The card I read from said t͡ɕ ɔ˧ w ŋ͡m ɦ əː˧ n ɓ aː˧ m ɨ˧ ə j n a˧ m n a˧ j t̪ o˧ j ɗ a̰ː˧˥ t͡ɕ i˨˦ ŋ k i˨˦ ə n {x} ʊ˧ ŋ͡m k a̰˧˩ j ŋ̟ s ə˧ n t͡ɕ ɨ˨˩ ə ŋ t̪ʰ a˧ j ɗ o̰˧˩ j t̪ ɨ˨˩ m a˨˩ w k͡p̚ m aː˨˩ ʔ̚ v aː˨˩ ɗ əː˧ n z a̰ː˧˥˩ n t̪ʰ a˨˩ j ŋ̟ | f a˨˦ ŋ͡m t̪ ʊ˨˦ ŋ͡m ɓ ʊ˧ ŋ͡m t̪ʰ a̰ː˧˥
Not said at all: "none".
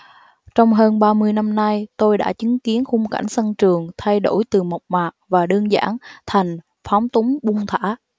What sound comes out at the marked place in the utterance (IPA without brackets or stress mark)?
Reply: x